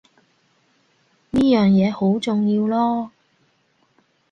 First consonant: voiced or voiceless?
voiced